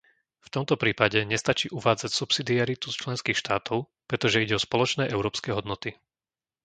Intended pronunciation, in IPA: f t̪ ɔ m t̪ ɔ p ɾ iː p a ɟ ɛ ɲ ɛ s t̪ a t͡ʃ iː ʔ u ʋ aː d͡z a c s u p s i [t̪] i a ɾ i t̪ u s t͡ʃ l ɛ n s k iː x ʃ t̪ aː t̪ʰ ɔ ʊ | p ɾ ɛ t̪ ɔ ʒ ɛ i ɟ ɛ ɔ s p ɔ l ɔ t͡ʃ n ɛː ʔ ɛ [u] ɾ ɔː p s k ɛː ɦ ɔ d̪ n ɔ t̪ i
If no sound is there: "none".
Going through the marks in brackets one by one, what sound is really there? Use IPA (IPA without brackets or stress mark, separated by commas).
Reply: d̪, ʊ